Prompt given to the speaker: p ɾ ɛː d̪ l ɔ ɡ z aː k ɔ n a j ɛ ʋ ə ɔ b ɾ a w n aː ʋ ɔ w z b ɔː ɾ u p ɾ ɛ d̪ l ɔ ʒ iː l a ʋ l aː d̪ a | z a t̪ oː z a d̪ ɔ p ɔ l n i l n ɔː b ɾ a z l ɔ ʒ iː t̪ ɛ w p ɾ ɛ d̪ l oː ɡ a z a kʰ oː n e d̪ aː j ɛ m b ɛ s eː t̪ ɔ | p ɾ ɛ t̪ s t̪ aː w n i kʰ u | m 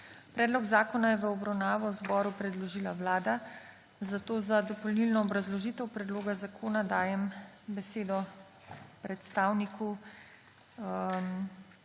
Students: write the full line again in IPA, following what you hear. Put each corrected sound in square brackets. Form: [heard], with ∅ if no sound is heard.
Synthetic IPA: p ɾ ɛː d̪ l ɔ ɡ z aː k ɔ n a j ɛ ʋ ə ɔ b ɾ a w n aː ʋ ɔ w z b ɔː ɾ u p ɾ ɛ d̪ l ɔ ʒ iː l a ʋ l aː d̪ a | z a t̪ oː z a d̪ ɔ p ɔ l n i l n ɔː b ɾ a z l ɔ ʒ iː t̪ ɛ w p ɾ ɛ d̪ l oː ɡ a z a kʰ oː n [a] d̪ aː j ɛ m b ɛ s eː [d̪] ɔ | p ɾ ɛ t̪ s t̪ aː w n i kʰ u | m